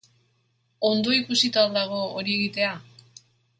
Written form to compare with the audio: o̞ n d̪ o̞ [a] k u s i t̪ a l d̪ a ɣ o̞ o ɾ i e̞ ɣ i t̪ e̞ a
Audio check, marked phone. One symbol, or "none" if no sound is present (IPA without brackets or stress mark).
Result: i